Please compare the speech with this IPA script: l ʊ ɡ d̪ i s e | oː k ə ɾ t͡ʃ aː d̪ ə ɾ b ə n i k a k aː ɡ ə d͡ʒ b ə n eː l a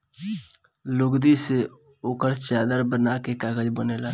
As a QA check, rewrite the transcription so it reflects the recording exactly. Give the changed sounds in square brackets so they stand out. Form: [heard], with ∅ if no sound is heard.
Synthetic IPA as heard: l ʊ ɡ d̪ i s e | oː k ə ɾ t͡ʃ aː d̪ ə ɾ b ə n [a] k [e] k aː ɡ ə d͡ʒ b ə n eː l a